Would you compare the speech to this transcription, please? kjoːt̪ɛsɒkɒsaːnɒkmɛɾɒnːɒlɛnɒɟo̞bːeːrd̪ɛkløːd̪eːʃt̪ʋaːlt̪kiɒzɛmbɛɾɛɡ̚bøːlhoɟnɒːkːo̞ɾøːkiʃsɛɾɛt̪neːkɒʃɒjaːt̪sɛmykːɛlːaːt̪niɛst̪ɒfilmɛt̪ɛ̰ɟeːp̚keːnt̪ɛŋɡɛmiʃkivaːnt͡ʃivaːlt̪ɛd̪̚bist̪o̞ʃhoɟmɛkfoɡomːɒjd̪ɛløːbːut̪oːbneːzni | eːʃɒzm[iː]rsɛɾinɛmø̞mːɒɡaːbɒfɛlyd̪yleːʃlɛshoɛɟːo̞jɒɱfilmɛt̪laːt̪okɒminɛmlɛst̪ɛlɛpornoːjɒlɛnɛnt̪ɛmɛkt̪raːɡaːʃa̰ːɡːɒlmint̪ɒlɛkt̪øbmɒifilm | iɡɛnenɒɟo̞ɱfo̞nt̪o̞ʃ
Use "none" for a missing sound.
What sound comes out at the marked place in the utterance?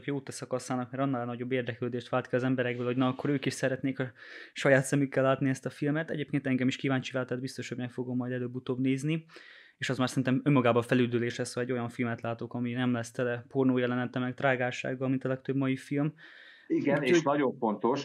aː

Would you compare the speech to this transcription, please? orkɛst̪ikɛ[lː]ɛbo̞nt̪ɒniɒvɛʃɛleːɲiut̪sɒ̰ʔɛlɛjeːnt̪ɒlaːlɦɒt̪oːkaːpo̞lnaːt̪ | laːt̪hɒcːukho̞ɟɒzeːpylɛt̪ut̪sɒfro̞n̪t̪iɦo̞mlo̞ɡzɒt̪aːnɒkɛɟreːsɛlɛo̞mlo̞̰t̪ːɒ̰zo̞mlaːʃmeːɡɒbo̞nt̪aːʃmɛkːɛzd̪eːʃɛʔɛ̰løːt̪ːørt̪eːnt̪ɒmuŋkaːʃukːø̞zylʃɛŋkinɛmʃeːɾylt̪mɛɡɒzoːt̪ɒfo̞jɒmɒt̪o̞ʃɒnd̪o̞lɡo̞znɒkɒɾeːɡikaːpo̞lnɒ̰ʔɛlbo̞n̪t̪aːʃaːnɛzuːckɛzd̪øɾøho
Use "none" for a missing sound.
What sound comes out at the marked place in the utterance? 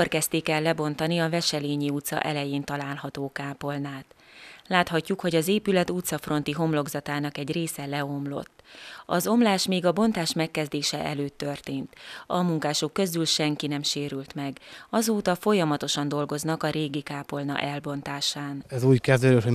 lː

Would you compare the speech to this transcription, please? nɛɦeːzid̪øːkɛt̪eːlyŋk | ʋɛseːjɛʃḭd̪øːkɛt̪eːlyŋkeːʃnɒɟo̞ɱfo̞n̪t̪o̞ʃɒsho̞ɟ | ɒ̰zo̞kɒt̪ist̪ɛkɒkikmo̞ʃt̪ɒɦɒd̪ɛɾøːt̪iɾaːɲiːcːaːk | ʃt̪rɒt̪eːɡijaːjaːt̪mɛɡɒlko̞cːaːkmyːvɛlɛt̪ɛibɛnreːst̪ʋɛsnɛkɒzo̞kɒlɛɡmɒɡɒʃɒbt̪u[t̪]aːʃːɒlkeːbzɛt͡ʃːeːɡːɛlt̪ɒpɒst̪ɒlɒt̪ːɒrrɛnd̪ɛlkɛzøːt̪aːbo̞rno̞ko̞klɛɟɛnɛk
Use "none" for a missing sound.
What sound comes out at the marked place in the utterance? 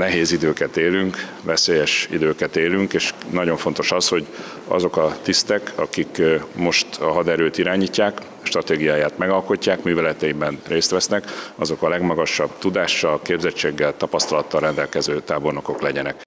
d̪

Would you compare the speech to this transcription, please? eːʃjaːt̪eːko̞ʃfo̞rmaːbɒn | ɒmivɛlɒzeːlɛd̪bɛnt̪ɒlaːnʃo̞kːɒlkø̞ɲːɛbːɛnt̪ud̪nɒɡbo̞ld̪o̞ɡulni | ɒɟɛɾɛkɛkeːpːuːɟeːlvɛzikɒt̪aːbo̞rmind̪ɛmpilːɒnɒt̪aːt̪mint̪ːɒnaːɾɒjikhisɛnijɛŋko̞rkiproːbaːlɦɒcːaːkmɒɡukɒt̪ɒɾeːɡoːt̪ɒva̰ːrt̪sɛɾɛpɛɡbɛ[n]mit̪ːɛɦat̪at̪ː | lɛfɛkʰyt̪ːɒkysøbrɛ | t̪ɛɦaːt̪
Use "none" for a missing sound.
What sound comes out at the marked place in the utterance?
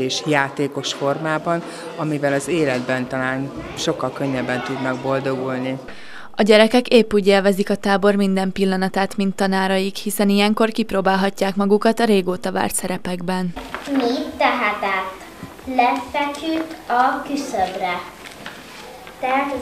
n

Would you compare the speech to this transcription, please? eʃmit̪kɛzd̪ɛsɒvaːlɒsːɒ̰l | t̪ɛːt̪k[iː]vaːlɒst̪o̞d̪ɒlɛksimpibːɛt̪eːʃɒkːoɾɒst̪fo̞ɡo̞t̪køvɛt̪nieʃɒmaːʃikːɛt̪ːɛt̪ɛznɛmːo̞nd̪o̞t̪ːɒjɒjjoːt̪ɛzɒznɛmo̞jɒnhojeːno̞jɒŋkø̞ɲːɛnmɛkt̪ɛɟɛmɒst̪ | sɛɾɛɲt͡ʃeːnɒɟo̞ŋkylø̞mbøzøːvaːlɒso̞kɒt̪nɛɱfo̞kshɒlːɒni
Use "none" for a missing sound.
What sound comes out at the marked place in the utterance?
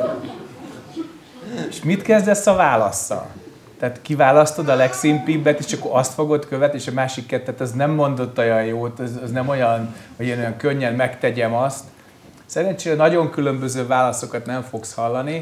i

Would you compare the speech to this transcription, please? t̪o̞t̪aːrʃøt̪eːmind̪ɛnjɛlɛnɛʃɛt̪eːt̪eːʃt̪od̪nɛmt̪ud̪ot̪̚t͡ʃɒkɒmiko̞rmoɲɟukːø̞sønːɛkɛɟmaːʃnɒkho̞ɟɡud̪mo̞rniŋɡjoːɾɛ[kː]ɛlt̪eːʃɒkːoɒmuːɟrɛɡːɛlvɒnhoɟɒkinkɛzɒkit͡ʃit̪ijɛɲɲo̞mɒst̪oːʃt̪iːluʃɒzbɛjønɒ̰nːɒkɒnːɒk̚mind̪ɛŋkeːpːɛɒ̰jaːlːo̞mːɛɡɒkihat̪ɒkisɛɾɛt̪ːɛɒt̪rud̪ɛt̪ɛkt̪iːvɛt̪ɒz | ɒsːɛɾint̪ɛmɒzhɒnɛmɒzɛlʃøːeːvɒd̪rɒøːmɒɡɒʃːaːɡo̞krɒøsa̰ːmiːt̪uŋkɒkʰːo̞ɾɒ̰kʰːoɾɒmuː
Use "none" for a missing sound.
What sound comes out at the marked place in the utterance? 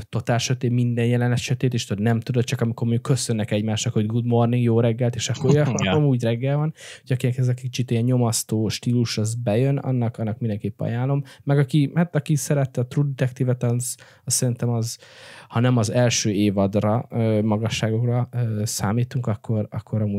ɡː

